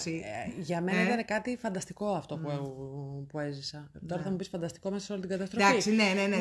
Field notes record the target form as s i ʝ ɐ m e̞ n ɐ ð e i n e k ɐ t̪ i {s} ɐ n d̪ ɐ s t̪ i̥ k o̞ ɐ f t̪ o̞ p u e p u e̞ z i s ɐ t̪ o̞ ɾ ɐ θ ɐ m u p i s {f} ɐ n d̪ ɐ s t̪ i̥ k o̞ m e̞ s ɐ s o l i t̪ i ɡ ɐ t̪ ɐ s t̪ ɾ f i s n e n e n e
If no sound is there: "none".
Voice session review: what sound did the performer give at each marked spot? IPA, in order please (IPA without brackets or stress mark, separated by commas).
f, f